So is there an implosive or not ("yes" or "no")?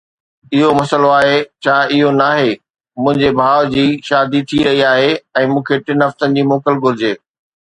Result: no